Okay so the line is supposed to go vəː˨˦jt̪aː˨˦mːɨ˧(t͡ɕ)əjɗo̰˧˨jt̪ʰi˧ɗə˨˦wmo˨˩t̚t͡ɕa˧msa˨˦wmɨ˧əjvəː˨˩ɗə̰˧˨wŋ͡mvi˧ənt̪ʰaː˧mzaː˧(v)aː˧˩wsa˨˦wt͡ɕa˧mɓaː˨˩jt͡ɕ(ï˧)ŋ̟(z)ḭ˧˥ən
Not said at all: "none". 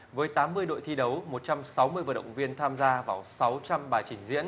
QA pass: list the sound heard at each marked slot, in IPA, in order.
none, v, ï˧˩, z

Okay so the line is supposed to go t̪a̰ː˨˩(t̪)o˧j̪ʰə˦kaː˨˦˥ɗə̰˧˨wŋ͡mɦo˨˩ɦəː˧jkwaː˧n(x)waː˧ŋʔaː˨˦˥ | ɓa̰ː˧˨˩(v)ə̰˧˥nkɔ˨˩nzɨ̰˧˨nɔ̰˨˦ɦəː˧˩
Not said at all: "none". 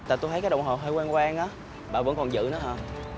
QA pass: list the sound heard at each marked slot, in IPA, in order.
t̪, k, v

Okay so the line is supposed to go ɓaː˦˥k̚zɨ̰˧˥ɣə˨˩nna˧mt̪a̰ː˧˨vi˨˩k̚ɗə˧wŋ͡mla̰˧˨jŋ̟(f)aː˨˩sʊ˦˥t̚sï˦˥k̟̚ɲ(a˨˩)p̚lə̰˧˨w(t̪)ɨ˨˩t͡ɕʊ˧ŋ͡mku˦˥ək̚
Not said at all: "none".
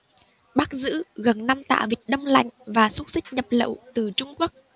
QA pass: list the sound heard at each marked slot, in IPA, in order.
v, ə˨˩, t̪

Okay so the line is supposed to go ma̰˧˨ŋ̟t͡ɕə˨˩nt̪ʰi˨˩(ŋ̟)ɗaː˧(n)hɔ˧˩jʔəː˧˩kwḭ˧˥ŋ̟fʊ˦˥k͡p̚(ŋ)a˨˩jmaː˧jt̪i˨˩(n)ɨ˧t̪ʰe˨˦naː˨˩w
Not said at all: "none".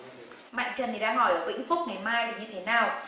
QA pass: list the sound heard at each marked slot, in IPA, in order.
none, ŋ, ŋ, ɲ

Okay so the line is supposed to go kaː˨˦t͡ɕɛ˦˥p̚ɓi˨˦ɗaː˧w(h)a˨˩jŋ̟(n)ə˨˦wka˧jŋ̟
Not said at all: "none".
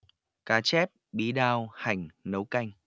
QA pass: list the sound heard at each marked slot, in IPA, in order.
h, n

